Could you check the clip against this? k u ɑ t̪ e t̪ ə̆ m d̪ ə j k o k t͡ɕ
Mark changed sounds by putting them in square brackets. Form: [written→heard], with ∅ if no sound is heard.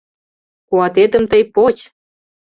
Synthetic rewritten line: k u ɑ t̪ e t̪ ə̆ m [d̪→t̪] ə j [k→p] o [k→∅] t͡ɕ